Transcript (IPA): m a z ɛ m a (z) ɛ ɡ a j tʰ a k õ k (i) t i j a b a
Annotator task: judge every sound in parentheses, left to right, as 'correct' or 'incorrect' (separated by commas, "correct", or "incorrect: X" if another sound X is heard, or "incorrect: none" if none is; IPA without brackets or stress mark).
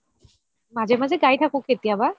correct, incorrect: e